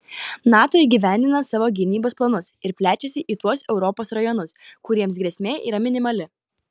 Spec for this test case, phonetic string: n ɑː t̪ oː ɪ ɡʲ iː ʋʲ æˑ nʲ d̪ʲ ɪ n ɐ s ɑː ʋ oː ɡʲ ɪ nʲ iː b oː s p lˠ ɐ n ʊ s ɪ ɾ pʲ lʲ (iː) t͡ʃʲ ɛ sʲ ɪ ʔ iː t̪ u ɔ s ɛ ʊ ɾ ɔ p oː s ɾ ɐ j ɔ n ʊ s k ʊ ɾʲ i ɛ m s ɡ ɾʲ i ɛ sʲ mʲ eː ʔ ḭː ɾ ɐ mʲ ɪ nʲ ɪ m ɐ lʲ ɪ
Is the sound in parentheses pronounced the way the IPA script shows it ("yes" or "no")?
no